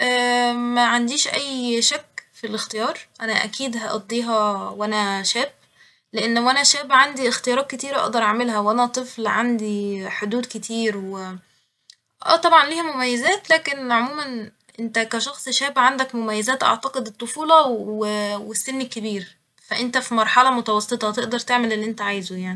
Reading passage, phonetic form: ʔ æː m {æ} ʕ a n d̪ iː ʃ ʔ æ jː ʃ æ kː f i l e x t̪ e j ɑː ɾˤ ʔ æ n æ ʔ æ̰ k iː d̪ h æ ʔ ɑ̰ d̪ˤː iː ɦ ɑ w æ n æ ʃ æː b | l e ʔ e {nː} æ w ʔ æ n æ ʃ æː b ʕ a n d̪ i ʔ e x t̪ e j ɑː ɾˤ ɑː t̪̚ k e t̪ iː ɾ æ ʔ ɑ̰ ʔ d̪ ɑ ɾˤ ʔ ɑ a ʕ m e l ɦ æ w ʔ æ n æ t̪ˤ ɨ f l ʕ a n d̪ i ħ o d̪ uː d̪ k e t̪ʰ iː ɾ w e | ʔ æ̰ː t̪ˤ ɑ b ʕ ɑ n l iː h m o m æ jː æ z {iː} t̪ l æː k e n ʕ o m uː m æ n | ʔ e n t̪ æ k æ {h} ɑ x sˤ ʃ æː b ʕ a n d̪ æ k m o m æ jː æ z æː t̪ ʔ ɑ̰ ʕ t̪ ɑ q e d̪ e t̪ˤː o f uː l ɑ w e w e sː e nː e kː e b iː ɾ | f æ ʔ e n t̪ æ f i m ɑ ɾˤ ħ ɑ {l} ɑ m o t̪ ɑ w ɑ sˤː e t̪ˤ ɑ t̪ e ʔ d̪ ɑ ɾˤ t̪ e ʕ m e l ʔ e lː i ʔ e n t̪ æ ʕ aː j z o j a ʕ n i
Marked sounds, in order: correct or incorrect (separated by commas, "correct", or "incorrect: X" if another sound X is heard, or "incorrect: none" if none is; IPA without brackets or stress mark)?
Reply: correct, correct, incorrect: æː, incorrect: ʃ, correct